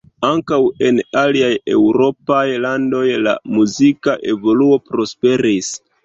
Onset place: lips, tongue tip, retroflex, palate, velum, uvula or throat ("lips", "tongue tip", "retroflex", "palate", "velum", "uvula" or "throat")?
velum